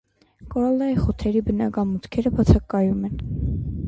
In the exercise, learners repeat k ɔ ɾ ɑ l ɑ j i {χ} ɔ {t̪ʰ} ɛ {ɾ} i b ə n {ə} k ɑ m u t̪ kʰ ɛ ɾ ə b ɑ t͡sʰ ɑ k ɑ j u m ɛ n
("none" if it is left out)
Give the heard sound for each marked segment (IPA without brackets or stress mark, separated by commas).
χ, t̪ʰ, ɾ, ɑ